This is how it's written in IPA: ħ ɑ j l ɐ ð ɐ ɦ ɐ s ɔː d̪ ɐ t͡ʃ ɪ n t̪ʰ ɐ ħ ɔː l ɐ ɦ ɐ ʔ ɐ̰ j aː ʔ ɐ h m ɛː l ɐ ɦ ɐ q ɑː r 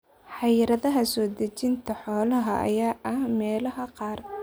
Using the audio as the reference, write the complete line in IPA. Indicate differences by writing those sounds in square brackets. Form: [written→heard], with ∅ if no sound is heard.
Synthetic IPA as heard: ħ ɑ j [l→ɾ] ɐ ð ɐ ɦ ɐ s ɔː d̪ ɐ t͡ʃ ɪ n t̪ʰ ɐ ħ ɔː l ɐ ɦ ɐ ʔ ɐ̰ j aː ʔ ɐ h m ɛː l ɐ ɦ ɐ q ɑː r

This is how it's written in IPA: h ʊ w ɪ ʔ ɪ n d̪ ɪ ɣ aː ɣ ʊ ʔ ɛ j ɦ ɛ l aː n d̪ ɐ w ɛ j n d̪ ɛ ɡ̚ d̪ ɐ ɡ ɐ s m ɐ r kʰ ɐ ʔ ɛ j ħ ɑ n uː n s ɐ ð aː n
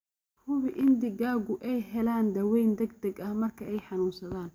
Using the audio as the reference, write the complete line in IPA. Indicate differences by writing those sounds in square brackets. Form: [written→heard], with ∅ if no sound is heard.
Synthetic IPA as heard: h ʊ [w→β] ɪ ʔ ɪ n d̪ ɪ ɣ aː ɣ ʊ ʔ ɛ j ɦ ɛ l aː n d̪ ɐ w ɛ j n d̪ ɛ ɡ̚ d̪ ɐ ɡ ɐ [s→h] m ɐ r kʰ ɐ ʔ ɛ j ħ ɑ n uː n s ɐ ð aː n

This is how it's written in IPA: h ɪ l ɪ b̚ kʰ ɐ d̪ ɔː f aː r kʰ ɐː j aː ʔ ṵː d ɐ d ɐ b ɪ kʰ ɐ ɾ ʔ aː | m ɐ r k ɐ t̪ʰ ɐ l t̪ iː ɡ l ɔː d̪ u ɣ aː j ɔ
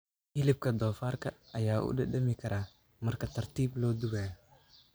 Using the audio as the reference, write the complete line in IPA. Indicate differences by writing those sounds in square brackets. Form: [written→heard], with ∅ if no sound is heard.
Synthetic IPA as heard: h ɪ l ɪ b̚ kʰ ɐ d̪ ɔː f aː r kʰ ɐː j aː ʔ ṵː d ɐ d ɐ [b→m] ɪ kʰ ɐ ɾ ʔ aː | m ɐ r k ɐ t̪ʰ ɐ [l→r] t̪ iː [ɡ→b] l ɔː d̪ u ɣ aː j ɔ

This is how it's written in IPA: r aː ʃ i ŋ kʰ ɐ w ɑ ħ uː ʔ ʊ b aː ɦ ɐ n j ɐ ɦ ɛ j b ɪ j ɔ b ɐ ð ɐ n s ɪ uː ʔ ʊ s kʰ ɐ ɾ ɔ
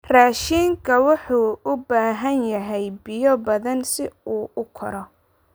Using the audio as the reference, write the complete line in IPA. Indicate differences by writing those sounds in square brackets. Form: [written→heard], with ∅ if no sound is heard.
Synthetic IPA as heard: r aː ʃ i ŋ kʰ ɐ w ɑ ħ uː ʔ ʊ b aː ɦ ɐ n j ɐ ɦ ɛ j b ɪ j ɔ b ɐ ð ɐ n s ɪ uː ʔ ʊ [s→∅] kʰ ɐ ɾ ɔ

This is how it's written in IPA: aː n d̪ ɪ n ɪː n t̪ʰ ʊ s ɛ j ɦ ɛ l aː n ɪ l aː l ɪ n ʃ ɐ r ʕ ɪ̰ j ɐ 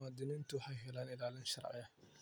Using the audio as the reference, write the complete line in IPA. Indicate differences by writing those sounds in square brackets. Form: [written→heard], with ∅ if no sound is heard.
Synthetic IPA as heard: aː [n→∅] d̪ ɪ n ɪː n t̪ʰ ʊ [s→ħ] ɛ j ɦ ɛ l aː n ɪ l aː l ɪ n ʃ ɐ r ʕ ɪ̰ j ɐ

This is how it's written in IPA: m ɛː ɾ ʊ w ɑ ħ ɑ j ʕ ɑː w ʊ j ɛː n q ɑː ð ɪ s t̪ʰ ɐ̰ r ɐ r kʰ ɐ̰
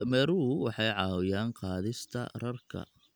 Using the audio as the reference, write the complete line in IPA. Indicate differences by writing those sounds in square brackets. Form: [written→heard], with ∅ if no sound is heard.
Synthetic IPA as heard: m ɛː ɾ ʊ w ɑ ħ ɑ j ʕ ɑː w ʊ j [ɛː→aː] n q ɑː ð ɪ s t̪ʰ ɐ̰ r ɐ r kʰ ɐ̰

